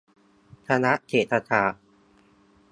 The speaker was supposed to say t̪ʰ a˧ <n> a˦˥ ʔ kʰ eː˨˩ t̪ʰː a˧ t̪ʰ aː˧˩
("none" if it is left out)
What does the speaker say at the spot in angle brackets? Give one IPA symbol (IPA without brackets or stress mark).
n